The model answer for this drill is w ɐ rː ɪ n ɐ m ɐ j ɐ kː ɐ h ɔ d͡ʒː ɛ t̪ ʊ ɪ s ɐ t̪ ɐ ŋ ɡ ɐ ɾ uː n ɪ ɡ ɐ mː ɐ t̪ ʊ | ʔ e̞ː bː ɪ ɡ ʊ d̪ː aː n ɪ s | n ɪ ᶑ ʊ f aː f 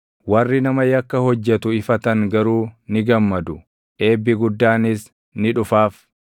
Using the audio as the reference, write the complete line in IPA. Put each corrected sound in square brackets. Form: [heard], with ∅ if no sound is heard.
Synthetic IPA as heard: w ɐ rː ɪ n ɐ m ɐ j ɐ kː ɐ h ɔ d͡ʒː ɛ t̪ ʊ ɪ [f] ɐ t̪ ɐ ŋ ɡ ɐ ɾ uː n ɪ ɡ ɐ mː ɐ [d̪] ʊ | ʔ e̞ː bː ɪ ɡ ʊ d̪ː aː n ɪ s | n ɪ ᶑ ʊ f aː f